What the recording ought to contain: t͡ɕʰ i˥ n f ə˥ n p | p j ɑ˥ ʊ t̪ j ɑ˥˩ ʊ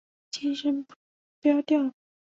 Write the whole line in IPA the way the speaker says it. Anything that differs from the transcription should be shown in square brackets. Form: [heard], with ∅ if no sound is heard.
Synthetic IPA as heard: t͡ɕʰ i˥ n [ʂ] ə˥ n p | p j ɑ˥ ʊ t̪ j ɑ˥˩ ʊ